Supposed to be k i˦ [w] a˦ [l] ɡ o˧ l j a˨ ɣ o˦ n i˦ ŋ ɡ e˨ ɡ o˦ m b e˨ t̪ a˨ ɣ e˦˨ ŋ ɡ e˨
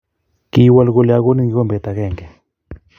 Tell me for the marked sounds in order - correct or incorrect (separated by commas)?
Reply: correct, correct